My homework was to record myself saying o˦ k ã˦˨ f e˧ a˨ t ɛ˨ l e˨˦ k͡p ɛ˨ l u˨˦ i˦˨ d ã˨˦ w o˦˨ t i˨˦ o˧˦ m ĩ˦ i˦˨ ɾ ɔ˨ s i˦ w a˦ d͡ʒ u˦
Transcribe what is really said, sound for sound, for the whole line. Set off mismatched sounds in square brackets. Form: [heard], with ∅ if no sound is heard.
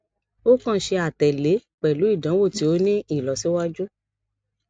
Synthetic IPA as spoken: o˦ k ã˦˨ [ʃ] e˧ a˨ t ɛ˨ l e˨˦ k͡p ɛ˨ l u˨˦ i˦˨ d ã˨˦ w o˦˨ t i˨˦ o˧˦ [n] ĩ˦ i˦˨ [l] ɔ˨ s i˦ w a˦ d͡ʒ u˦